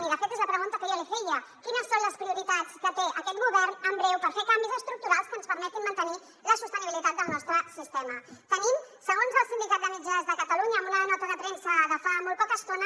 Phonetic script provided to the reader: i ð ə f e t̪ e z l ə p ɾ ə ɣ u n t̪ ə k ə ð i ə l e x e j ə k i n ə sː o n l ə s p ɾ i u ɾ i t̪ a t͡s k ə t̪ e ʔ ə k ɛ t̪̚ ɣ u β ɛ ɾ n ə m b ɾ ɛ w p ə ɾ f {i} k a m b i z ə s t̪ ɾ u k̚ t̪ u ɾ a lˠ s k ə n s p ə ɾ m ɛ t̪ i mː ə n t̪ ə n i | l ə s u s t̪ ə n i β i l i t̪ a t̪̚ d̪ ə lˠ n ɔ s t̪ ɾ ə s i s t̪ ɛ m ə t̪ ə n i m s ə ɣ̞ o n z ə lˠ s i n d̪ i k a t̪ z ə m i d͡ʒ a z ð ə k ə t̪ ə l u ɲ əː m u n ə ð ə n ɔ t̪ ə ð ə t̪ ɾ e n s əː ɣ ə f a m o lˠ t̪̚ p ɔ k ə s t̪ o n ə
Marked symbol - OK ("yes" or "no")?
no